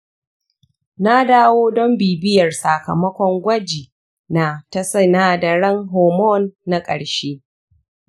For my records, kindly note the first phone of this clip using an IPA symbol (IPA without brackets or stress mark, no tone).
n